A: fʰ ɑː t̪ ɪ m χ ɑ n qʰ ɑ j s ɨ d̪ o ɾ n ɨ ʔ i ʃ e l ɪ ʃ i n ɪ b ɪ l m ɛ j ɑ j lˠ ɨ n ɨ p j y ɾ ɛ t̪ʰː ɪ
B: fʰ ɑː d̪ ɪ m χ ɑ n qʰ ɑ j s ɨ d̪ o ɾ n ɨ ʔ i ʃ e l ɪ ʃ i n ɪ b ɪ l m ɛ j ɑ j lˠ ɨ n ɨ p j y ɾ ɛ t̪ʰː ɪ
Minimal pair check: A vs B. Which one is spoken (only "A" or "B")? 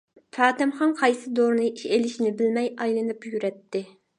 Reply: A